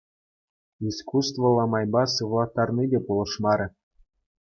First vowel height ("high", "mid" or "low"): high